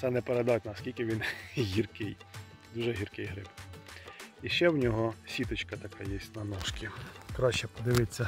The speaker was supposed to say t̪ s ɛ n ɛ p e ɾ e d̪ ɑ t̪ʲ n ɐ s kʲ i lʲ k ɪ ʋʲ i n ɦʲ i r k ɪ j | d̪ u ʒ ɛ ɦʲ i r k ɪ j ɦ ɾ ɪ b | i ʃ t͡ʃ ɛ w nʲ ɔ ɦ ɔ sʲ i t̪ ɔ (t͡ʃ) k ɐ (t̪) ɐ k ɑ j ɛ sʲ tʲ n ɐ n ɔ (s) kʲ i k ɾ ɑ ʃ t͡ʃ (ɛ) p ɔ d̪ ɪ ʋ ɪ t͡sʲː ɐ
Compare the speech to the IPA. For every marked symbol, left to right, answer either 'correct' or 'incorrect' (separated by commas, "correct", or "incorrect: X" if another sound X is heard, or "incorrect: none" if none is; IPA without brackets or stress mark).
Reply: correct, correct, incorrect: ʃ, correct